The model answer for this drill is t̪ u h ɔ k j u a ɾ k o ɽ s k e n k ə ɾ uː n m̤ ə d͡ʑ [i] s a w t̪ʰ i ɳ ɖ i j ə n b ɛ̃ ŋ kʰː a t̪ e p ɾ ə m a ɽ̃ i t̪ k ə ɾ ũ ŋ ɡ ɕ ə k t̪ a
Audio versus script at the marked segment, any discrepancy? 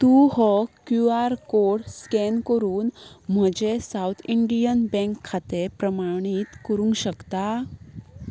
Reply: yes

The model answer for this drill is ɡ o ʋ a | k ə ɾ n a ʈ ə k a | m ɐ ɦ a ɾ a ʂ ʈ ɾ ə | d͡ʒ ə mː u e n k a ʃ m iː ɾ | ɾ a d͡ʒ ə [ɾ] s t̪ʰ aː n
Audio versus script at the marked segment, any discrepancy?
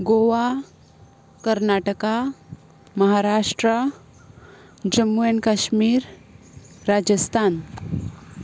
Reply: yes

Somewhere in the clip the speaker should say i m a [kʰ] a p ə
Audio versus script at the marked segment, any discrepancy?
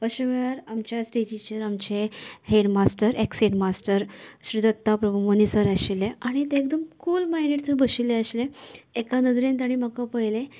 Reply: yes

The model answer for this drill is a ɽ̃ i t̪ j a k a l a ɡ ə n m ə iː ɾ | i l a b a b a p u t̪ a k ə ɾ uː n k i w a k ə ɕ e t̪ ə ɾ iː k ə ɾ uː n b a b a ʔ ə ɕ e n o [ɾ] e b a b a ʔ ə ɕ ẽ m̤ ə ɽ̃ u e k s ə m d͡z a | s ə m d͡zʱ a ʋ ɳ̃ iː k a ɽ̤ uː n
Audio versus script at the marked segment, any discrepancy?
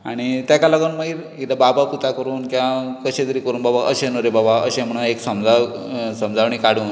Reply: no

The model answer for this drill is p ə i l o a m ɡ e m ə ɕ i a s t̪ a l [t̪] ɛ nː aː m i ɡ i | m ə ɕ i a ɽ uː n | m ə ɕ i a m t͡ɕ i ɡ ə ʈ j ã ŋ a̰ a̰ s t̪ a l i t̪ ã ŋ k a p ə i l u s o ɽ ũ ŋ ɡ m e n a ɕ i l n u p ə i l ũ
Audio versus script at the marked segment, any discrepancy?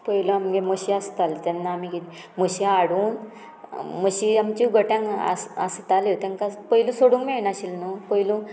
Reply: no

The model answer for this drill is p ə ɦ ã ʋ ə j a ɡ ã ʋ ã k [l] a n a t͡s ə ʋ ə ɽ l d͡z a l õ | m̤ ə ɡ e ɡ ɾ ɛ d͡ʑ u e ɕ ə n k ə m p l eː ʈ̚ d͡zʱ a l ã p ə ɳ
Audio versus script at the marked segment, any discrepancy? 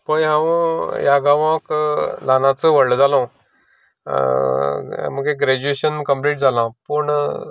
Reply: no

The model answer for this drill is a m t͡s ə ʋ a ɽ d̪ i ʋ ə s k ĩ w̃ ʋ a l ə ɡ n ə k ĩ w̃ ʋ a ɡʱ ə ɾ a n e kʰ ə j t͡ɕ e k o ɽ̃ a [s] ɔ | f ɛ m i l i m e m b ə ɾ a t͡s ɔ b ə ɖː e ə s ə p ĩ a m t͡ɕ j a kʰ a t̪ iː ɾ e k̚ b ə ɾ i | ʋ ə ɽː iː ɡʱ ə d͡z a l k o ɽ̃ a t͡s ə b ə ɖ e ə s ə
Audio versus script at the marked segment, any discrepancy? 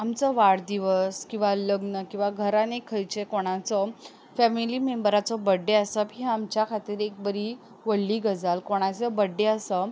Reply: yes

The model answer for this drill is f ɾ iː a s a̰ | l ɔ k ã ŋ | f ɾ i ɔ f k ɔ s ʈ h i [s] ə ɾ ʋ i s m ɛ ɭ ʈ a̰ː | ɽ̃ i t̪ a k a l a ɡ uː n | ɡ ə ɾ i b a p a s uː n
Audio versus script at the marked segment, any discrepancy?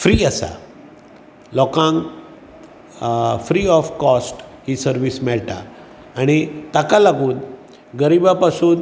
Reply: no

